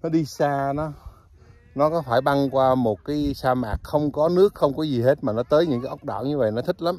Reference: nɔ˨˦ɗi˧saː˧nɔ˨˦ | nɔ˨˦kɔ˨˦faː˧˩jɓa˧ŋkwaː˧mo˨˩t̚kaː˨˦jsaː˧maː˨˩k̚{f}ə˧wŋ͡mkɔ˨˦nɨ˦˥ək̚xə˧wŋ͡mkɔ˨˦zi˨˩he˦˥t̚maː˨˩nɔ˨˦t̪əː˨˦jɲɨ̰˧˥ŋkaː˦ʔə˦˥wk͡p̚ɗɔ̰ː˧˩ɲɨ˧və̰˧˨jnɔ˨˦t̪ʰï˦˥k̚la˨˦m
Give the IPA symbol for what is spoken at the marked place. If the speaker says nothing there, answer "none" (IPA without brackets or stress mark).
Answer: x